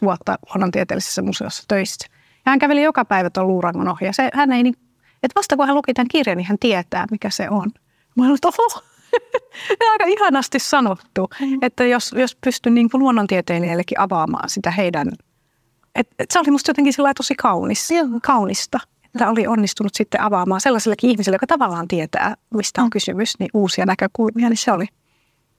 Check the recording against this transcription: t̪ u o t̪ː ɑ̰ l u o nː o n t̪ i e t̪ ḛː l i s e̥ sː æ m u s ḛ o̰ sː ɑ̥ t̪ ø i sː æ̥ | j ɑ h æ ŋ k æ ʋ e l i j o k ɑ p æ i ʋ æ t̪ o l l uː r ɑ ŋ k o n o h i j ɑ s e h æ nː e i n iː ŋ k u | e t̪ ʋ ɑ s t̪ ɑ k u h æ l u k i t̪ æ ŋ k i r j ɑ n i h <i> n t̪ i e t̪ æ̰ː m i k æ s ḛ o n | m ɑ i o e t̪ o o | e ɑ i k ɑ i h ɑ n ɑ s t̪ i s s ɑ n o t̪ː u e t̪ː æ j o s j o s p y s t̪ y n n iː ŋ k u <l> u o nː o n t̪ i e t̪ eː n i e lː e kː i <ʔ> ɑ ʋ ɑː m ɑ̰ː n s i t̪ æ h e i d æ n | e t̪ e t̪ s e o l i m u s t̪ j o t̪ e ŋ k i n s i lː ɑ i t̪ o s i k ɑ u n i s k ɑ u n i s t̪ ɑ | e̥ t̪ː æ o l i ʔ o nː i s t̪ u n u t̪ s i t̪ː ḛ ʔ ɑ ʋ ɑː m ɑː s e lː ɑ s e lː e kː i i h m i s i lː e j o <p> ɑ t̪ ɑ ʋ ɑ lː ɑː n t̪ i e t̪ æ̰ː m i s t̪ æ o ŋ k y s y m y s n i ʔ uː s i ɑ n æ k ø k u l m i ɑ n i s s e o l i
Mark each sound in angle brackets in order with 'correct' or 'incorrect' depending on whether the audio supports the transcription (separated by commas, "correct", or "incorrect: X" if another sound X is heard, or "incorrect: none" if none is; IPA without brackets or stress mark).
incorrect: æ, correct, correct, incorrect: k